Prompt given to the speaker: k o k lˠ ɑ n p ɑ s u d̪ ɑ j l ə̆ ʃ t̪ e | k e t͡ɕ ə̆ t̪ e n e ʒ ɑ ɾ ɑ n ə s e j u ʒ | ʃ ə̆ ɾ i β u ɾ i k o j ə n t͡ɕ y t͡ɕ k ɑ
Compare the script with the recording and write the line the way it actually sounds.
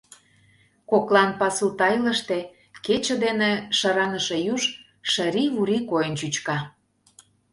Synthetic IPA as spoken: k o k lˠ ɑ n p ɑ s u t̪ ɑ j l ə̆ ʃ t̪ e | k e t͡ɕ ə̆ d̪ e n e ʃ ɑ ɾ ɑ n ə ʃ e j u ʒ | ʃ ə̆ ɾ i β u ɾ i k o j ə n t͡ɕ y t͡ɕ k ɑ

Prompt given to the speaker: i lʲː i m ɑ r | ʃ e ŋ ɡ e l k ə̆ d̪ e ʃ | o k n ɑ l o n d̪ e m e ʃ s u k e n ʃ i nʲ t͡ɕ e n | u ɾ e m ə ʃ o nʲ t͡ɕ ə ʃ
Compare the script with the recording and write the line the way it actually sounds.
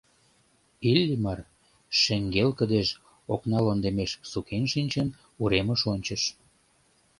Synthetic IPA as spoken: i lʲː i m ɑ r | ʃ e ŋ ɡ e l k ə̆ d̪ e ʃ | o k n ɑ l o n d̪ e m e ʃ s u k e n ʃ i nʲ t͡ɕ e n | u ɾ e m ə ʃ o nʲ t͡ɕ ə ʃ

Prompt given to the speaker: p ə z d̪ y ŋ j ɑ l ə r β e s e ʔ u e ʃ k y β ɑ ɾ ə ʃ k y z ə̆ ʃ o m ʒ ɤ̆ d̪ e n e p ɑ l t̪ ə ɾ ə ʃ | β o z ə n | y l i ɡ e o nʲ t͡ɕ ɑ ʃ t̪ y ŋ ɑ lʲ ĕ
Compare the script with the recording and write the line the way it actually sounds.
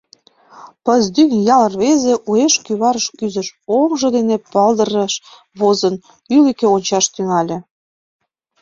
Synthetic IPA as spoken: p ə z d̪ y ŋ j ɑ l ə r β e z e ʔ u e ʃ k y β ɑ ɾ ə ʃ k y z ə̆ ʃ o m ʒ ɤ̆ d̪ e n e p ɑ l d̪ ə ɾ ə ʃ | β o z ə n | y l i k e o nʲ t͡ɕ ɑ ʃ t̪ y ŋ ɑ lʲ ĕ

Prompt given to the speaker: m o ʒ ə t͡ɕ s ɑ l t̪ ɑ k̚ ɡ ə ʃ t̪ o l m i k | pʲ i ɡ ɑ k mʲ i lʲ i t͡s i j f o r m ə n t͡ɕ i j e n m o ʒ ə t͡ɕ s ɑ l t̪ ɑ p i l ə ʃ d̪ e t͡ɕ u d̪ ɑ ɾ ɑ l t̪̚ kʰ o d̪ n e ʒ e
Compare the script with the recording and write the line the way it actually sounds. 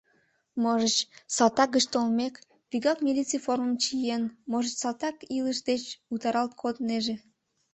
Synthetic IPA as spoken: m o ʒ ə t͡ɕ s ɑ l t̪ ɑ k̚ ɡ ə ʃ t̪ o l m e k | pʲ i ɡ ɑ k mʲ i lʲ i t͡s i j f o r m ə m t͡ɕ i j e n m o ʒ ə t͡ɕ s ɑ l t̪ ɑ k i l ə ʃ d̪ e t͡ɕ u t̪ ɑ ɾ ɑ l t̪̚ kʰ o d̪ n e ʒ e

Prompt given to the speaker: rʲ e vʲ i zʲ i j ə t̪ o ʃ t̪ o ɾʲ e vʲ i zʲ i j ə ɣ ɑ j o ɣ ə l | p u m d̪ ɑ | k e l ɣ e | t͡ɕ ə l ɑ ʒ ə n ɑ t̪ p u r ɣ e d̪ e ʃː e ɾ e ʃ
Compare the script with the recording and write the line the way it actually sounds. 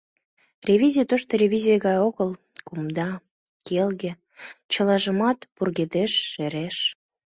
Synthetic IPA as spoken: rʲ e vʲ i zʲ i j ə t̪ o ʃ t̪ o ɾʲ e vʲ i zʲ i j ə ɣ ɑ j o ɣ ə l | k u m d̪ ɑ | k e l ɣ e | t͡ɕ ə l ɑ ʒ ə m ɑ t̪ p u r ɣ e d̪ e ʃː e ɾ e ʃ

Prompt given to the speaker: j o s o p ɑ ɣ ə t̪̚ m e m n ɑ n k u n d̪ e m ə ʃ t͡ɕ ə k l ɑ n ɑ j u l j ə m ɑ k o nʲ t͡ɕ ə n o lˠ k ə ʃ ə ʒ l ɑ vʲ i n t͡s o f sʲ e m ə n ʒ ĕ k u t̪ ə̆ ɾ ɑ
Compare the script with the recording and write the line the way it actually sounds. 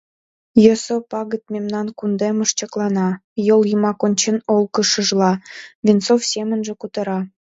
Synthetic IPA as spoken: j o s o p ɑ ɣ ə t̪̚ m e m n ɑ n k u n d̪ e m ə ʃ t͡ɕ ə k l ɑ n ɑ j o l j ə m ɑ k o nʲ t͡ɕ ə n o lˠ k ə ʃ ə ʒ l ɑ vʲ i n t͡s o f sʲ e m ə n ʒ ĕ k u t̪ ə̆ ɾ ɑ

